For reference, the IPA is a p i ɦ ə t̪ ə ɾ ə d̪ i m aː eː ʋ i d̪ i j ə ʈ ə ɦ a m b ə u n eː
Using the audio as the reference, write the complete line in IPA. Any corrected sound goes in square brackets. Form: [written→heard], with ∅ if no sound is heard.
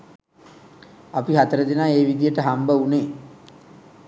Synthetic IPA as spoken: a p i ɦ [ə→a] t̪ ə ɾ ə d̪ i [m→n] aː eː ʋ i d̪ i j ə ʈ ə ɦ a m b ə u n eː